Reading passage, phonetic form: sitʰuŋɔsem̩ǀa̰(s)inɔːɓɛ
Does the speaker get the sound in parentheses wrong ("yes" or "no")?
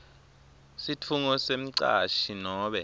yes